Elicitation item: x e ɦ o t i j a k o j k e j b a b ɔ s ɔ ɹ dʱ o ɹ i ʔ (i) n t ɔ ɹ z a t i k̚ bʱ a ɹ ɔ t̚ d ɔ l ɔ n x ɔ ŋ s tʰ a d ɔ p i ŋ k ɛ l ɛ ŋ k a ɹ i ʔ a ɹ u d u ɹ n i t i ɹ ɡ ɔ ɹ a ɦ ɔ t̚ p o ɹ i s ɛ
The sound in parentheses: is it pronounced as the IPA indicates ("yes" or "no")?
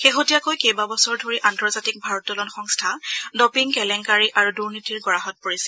no